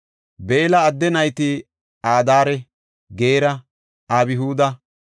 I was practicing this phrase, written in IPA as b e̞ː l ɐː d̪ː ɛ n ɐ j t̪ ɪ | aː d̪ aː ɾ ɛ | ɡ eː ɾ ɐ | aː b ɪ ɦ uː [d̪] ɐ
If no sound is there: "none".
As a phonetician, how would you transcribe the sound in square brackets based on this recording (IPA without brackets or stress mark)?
d̪